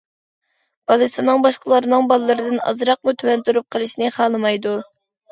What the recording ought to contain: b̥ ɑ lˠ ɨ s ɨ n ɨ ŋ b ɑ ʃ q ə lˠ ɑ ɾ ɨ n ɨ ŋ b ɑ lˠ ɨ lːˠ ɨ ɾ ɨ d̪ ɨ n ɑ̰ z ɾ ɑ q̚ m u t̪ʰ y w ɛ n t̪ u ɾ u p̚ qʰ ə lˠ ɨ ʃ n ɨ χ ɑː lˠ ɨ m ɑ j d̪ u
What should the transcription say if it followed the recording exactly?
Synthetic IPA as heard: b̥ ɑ lˠ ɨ s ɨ n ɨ ŋ b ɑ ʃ q ə lˠ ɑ ɾ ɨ n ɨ ŋ b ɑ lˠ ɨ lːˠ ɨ ɾ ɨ d̪ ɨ n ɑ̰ z ɾ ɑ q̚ m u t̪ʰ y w ɛ n t̪ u ɾ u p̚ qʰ ə lˠ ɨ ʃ n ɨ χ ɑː lˠ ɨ m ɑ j d̪ u